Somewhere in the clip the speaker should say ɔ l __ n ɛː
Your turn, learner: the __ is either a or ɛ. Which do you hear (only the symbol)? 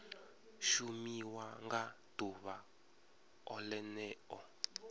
ɛ